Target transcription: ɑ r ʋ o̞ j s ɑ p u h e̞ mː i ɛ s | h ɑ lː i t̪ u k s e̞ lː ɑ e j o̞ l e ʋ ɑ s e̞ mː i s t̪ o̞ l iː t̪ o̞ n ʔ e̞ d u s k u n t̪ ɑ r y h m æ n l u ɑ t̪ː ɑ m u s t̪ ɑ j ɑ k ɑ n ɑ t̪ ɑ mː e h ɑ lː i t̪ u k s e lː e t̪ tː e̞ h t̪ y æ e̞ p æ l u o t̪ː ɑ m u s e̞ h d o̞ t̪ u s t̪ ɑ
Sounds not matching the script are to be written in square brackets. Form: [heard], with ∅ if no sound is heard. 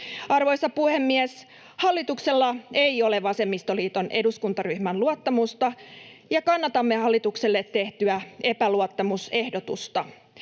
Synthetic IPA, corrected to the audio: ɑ r ʋ o̞ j s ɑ p u h e̞ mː i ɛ s | h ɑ lː i t̪ u k s e̞ lː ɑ e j o̞ l e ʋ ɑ s e̞ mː i s t̪ o̞ l iː t̪ o̞ n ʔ e̞ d u s k u n t̪ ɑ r y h m æ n l u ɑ t̪ː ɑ m u s t̪ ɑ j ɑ k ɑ [nː] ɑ t̪ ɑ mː e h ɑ lː i t̪ u k s e lː e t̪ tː e̞ h t̪ y æ e̞ p æ l u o t̪ː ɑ m u s e̞ h d o̞ t̪ u s t̪ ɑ